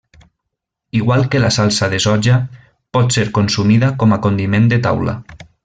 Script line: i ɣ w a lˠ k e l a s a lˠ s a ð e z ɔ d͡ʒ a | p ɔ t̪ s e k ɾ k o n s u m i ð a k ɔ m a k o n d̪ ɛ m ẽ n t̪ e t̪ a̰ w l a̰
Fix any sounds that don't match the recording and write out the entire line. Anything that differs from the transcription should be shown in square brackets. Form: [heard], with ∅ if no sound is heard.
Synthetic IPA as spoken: i ɣ w a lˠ k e l a s a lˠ s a ð e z ɔ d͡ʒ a | p ɔ t̪ s e [∅] ɾ k o n s u m i ð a k ɔ m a k o n d̪ [i] m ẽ n [d̪] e t̪ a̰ w l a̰